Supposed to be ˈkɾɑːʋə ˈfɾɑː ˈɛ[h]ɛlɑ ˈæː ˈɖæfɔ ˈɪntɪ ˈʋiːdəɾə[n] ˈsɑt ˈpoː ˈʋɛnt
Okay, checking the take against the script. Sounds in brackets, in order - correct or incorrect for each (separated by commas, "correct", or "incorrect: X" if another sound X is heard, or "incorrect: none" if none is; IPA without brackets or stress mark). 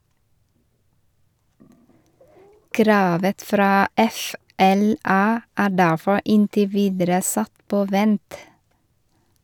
incorrect: f, incorrect: none